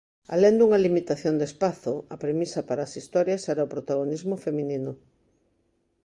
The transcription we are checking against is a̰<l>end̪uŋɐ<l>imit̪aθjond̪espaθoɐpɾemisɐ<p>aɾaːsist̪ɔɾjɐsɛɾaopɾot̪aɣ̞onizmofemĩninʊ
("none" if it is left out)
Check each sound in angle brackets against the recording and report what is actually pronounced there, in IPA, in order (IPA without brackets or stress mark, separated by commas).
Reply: l, l, p